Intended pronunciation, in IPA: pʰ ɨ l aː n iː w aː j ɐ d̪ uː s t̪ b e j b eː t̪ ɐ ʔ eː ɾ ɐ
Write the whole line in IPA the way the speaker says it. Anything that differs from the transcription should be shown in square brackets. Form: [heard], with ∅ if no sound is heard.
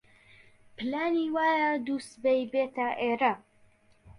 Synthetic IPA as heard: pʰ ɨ l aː n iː w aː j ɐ d̪ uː s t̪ b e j b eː t̪ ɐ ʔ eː ɾ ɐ